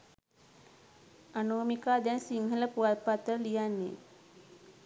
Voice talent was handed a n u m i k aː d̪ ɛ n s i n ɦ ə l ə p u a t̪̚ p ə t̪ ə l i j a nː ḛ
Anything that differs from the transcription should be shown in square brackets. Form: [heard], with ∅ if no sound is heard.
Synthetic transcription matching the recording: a n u m i k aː d̪ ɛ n s i [ŋ] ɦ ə l ə p u a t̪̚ p [a] t̪ ə l i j a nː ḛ